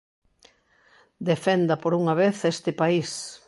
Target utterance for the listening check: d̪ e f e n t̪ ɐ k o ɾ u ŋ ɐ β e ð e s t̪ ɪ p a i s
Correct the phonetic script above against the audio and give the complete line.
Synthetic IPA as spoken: d̪ e f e n d̪ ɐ p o ɾ u ŋ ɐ β e θ e s t̪ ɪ p a i s